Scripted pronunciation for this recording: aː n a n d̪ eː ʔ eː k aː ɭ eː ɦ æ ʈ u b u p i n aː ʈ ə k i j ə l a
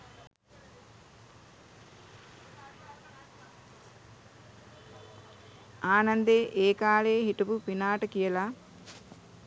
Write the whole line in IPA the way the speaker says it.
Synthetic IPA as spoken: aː n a n d̪ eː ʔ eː k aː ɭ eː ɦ i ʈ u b u p i n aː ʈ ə k i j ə l a